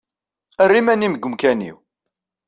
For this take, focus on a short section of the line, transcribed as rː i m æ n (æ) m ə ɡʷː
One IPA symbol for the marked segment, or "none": i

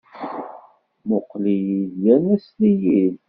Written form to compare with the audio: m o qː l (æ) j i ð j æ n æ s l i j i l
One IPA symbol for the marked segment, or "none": i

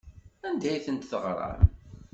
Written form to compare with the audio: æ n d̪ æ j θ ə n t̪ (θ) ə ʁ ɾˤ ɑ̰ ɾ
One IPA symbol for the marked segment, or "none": θ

